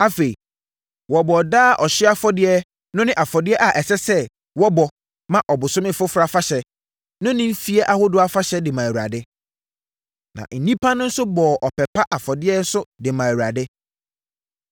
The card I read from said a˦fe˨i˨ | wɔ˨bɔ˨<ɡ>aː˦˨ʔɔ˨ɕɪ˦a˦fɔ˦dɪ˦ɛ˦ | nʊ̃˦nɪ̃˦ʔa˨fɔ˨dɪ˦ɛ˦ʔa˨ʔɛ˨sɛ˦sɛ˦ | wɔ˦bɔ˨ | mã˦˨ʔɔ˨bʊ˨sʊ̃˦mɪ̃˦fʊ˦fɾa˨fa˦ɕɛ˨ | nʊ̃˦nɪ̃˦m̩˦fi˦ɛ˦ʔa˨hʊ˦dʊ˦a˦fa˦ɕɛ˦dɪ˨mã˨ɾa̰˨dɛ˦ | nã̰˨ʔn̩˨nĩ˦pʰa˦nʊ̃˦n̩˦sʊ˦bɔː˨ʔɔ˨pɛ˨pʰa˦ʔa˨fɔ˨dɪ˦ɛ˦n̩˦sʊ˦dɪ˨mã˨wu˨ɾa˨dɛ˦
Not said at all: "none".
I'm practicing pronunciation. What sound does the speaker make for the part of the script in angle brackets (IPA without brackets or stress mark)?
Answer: d